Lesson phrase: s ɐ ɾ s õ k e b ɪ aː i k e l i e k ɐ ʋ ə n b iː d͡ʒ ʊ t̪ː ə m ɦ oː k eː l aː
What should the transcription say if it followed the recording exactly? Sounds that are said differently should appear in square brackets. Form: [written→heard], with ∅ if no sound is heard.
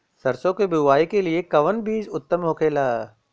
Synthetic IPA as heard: s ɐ ɾ s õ k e b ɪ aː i k e l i e k ɐ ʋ ə n b iː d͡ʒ ʊ t̪ː ə m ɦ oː k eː l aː